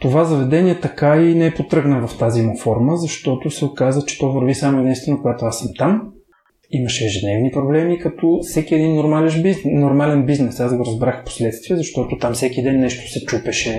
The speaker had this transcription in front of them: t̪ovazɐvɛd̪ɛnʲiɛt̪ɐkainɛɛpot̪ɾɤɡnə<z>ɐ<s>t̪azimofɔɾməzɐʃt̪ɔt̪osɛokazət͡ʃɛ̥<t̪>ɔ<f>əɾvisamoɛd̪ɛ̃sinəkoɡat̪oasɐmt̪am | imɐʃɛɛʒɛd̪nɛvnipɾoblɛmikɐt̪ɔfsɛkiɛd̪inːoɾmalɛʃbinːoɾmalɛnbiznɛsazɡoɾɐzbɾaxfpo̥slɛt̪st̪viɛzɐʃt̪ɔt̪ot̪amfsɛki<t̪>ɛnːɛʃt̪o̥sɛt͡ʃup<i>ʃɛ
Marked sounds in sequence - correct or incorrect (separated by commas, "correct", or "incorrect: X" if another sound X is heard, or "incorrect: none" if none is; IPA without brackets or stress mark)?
incorrect: v, incorrect: f, correct, incorrect: v, incorrect: d̪, incorrect: ɛ